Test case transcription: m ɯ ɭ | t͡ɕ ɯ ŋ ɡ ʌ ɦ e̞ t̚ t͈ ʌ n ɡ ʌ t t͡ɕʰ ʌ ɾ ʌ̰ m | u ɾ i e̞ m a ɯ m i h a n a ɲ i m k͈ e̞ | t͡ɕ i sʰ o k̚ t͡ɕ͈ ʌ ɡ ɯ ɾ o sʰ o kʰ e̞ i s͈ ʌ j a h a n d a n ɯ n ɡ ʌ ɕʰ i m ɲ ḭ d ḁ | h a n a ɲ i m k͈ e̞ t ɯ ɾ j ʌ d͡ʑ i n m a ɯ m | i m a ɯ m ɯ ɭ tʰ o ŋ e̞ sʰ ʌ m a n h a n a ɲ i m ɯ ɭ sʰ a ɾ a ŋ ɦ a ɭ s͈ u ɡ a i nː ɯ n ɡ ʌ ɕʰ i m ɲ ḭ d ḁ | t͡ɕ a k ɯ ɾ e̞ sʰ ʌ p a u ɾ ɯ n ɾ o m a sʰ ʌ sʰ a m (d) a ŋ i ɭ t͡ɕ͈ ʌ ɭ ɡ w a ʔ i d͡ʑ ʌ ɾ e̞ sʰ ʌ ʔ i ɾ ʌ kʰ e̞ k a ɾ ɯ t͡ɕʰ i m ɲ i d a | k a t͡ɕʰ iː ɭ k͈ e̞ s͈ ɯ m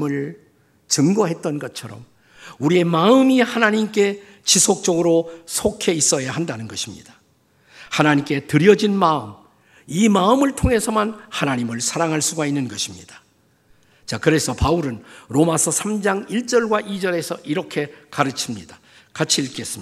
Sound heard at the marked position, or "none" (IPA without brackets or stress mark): d͡ʑ